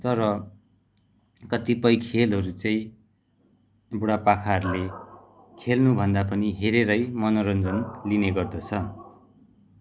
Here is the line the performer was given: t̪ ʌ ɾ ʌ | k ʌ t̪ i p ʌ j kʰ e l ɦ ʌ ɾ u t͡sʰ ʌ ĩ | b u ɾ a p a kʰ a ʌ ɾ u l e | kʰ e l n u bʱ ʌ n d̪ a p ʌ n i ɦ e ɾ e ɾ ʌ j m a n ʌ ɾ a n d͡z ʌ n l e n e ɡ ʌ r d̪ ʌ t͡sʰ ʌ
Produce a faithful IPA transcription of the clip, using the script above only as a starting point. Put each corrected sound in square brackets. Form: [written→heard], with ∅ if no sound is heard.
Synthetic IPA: t̪ ʌ ɾ ʌ | k ʌ t̪ i p ʌ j kʰ e l ɦ ʌ ɾ u [t͡sʰ→t͡s] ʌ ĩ | b u [ɾ→ɽ] a p a kʰ a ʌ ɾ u l e | kʰ e l n u bʱ ʌ n d̪ a p ʌ n i ɦ e ɾ e ɾ ʌ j m [a→ʌ] n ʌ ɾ [a→ʌ] n d͡z ʌ n l [e→i] n e ɡ ʌ r d̪ ʌ t͡sʰ ʌ